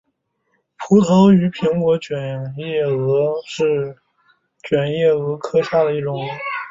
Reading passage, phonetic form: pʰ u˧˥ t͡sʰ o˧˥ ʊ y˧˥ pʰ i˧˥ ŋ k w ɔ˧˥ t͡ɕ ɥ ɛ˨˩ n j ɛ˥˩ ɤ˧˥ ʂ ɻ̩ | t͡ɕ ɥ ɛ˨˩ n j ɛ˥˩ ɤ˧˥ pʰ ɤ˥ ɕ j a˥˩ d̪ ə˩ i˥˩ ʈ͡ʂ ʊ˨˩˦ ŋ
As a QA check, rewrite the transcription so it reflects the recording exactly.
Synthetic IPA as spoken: pʰ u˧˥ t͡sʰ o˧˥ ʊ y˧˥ pʰ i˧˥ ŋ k w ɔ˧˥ t͡ɕ ɥ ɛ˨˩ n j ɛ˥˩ ɤ˧˥ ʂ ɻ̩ | t͡ɕ ɥ ɛ˨˩ n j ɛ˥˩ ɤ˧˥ kʰ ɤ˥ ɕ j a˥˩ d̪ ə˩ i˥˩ ʈ͡ʂ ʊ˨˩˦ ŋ